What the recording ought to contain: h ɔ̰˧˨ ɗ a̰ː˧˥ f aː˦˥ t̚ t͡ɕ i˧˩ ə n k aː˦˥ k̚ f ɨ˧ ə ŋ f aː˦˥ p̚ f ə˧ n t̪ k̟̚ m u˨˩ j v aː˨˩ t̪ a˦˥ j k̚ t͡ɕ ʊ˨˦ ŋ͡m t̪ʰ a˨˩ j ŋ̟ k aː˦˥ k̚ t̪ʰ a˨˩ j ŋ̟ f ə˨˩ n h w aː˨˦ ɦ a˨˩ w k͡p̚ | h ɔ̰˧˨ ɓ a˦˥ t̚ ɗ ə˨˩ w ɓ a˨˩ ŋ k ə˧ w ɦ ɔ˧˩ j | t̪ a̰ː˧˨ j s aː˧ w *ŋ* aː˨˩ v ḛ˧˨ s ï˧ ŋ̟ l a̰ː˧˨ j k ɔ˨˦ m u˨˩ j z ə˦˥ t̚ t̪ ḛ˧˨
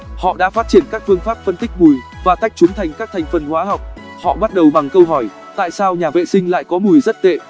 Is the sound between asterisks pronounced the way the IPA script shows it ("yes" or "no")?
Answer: no